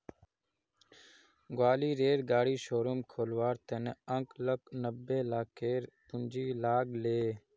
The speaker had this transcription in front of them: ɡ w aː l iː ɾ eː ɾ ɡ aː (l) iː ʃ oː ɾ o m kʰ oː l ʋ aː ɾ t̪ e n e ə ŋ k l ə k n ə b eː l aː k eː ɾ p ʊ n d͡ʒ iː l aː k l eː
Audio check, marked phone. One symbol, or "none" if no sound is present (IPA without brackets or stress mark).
ɽ